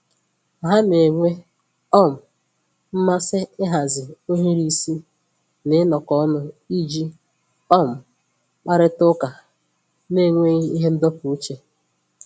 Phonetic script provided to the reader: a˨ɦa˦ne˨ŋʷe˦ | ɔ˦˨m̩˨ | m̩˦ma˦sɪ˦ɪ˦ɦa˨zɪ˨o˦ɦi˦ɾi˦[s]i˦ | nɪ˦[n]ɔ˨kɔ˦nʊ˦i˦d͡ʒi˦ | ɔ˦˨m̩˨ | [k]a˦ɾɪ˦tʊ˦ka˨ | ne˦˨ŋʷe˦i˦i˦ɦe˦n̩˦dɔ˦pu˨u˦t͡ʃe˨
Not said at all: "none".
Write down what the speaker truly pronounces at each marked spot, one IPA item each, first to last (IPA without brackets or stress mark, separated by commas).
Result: s, n, k͡p